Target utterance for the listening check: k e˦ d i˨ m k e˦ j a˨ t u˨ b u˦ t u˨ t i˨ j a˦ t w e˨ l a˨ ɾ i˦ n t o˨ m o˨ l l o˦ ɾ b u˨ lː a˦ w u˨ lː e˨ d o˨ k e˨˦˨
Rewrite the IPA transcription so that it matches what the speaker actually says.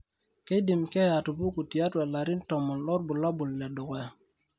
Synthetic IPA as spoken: k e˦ d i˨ m k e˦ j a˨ t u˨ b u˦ k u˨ t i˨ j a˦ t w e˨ l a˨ ɾ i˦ n t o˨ m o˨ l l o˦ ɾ b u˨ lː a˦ b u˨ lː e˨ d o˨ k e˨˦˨